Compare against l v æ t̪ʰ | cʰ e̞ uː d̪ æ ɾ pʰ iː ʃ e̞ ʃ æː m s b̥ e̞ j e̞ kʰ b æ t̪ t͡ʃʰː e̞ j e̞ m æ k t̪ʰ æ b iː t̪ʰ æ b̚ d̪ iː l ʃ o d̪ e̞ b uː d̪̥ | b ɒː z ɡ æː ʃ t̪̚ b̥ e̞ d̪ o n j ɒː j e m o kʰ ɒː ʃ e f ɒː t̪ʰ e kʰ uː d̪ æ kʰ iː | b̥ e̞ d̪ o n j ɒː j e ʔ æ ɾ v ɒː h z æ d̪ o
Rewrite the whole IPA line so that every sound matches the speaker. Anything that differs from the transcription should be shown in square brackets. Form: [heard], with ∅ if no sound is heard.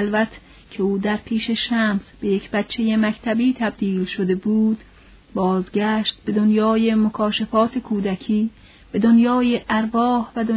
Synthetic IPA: l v æ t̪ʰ | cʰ e̞ uː d̪ æ ɾ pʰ iː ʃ e̞ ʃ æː m s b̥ e̞ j e̞ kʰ b æ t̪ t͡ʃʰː e̞ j e̞ m æ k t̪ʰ æ b iː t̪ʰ æ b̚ d̪ iː l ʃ o d̪ e̞ b uː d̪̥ | b ɒː z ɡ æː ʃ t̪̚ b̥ e̞ d̪ o n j ɒː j e m o kʰ ɒː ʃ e f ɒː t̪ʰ e kʰ uː d̪ æ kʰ iː | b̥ e̞ d̪ o n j ɒː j e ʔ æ ɾ v ɒː h [v] æ d̪ o